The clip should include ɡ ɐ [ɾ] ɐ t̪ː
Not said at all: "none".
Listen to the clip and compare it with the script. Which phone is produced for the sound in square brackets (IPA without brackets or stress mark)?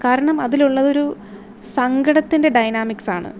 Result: ɽ